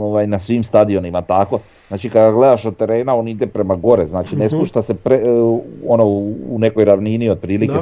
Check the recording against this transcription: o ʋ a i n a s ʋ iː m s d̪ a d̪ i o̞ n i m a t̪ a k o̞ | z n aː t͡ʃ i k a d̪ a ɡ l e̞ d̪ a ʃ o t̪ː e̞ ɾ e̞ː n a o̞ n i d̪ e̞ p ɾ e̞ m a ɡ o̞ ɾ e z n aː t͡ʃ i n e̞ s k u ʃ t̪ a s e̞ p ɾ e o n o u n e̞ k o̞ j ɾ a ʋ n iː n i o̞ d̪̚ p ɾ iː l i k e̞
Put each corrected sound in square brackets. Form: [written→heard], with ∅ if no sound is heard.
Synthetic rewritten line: o ʋ a [i→j] n a s ʋ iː m s [d̪→t̪] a d̪ i o̞ n i m a t̪ a k o̞ | z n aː t͡ʃ i k a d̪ a ɡ l e̞ d̪ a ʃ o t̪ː e̞ ɾ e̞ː n a o̞ n i d̪ e̞ p ɾ e̞ m a ɡ o̞ ɾ e z n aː t͡ʃ i n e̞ s [k→p] u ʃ t̪ a s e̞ p ɾ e o n o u n e̞ k o̞ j ɾ a ʋ n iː n i o̞ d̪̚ p ɾ iː l i k e̞